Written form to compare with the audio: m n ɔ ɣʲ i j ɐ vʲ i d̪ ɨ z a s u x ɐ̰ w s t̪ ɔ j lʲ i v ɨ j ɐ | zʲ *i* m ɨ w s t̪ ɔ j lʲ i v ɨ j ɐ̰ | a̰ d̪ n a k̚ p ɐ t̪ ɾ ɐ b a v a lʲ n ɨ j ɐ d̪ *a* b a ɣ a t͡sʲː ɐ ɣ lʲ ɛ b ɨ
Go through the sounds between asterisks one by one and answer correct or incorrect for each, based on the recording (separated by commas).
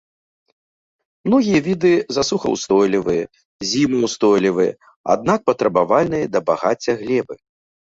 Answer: correct, incorrect